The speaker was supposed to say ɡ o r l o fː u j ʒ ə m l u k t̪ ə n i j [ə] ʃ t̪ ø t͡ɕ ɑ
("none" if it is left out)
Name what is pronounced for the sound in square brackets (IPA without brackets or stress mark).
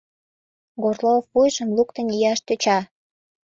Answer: ɑ